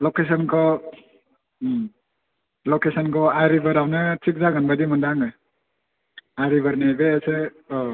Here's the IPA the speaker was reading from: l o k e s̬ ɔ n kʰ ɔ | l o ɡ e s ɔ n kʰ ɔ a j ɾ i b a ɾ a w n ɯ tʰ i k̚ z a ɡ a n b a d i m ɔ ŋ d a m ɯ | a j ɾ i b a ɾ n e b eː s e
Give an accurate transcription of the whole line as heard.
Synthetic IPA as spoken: l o k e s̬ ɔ n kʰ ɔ | l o k e s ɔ n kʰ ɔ a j ɾ i b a ɾ a w n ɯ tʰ i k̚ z a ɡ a n b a d i m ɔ n d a ŋ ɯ | a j ɾ i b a ɾ n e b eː s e